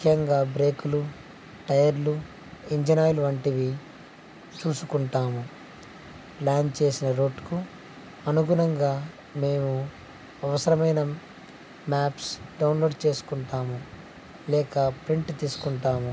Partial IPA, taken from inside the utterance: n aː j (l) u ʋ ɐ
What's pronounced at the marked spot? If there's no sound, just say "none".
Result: l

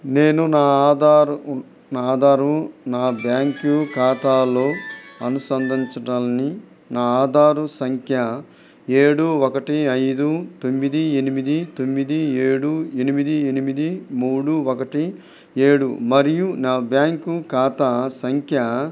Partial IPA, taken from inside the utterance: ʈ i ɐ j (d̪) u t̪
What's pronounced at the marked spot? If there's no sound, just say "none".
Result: d̪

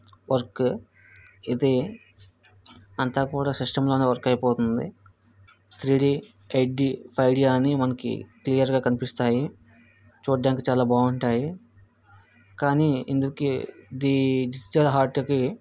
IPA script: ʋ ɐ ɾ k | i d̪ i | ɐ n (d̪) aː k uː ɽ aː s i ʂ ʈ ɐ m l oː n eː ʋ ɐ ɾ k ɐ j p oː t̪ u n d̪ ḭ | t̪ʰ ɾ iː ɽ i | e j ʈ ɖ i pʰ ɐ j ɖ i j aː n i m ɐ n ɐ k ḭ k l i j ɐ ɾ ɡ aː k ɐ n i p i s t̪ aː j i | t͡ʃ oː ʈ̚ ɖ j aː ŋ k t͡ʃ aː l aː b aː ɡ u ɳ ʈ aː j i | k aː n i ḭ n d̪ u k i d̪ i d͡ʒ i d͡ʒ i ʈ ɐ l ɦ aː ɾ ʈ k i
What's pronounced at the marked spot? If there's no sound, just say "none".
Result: t̪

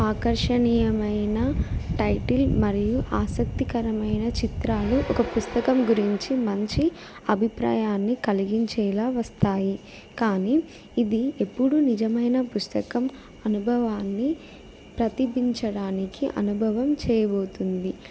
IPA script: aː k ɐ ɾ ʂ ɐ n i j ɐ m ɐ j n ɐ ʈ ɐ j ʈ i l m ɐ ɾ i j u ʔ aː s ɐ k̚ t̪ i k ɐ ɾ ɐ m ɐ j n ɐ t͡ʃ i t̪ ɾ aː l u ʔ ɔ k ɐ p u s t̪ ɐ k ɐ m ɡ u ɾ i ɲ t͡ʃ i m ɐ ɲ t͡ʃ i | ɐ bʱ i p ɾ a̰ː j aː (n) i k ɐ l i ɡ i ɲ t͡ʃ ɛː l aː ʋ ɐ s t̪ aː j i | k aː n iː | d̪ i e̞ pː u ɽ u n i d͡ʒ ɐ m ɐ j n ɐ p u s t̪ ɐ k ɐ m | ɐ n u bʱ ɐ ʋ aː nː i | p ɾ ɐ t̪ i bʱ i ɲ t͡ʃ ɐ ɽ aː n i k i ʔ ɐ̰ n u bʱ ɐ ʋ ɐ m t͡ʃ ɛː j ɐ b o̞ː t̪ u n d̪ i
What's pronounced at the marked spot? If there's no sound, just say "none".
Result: nː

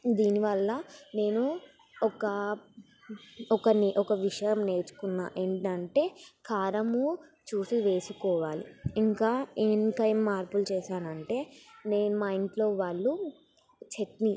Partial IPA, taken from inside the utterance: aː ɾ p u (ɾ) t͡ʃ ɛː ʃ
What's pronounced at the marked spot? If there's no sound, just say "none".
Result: l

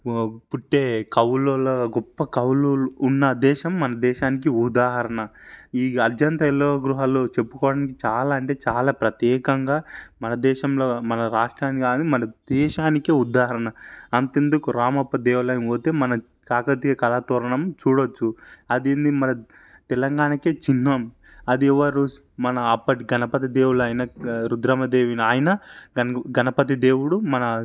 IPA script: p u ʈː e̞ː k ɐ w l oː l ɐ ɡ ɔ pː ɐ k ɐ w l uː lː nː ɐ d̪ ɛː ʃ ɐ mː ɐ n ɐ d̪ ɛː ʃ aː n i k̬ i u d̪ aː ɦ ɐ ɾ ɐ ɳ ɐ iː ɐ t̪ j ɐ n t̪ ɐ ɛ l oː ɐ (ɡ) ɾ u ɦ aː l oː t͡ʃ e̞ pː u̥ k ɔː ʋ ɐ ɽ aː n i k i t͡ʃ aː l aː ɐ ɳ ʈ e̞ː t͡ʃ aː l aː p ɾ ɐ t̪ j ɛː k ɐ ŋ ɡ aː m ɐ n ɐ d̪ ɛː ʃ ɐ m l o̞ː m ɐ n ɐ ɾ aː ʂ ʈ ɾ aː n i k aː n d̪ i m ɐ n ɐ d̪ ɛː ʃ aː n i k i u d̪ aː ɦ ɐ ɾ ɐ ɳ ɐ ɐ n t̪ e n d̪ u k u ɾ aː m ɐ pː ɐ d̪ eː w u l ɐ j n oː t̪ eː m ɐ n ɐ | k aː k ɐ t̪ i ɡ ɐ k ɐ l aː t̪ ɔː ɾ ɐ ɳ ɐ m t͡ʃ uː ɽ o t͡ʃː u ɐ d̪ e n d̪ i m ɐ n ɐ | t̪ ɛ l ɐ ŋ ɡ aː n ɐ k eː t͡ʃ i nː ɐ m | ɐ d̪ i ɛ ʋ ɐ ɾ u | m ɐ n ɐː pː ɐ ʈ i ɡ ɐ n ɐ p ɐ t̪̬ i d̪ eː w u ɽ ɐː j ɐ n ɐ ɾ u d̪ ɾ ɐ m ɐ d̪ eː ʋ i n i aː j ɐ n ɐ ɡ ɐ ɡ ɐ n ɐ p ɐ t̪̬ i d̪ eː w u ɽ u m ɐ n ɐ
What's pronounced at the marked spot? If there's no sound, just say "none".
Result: ɡ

